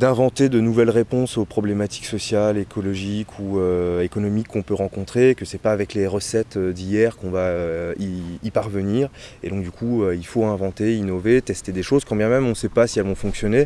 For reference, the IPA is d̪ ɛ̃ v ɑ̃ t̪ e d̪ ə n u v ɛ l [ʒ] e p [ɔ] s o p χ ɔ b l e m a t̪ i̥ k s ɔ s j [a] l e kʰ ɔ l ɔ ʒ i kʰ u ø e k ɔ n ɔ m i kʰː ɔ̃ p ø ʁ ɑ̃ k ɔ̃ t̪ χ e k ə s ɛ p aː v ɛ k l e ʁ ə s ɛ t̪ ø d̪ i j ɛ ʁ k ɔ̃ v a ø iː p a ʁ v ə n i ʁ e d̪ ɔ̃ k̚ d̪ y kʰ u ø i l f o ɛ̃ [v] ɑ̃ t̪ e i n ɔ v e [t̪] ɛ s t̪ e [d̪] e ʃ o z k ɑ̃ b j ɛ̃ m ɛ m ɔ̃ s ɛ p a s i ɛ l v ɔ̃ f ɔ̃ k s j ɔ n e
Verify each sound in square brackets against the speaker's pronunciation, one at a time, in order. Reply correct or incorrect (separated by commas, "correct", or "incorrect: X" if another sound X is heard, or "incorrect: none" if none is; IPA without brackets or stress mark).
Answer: incorrect: ʁ, incorrect: ɔ̃, correct, correct, correct, correct